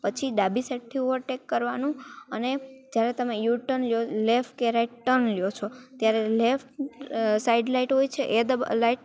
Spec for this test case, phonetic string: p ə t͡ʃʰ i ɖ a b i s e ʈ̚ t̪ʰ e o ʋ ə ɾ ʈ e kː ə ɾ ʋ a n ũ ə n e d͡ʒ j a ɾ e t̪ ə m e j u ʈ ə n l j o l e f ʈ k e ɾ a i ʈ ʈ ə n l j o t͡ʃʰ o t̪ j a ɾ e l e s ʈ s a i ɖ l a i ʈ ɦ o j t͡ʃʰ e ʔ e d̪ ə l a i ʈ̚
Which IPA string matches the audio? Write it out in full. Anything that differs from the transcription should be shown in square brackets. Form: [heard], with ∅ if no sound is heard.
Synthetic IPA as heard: p ə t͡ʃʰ i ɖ a b i s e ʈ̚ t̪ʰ [i] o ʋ ə ɾ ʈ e kː ə ɾ ʋ a n ũ ə n e d͡ʒ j a ɾ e t̪ ə m e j u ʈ ə n l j o l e f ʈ k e ɾ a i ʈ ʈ ə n l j o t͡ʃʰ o t̪ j a ɾ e l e [f] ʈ s a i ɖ l a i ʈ ɦ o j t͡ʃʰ e ʔ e d̪ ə l a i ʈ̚